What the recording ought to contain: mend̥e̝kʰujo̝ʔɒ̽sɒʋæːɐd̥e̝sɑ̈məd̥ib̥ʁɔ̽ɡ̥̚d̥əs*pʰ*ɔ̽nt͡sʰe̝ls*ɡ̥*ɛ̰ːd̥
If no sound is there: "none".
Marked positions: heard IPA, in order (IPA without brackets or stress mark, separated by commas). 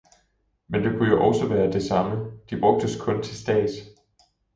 kʰ, d̥